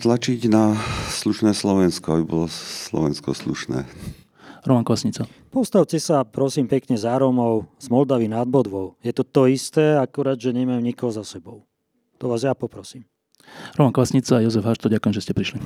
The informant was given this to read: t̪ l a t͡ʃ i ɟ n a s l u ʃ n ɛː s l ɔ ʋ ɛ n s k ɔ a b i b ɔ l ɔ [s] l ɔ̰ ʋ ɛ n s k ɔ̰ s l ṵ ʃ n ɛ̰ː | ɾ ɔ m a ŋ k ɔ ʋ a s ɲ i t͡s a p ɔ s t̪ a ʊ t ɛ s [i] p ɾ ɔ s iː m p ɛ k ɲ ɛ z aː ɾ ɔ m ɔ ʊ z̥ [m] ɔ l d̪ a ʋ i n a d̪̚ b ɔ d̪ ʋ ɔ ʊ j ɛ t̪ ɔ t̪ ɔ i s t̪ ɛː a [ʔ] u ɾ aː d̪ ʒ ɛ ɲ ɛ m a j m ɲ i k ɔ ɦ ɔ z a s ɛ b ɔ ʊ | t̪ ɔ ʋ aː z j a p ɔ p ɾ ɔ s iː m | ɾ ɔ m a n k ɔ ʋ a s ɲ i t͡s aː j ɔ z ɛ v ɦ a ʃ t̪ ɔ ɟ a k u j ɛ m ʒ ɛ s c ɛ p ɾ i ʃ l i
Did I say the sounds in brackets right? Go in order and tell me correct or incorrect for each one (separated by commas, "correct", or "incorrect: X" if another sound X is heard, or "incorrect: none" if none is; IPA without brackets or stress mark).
correct, incorrect: a, correct, incorrect: k